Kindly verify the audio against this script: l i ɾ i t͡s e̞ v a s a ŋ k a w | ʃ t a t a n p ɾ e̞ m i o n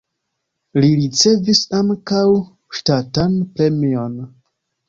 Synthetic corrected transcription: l i ɾ i t͡s e̞ v i s a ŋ k a w | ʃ t a t a n p ɾ e̞ m i o n